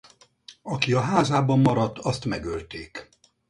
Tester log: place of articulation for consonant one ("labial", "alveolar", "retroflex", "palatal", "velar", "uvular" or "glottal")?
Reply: velar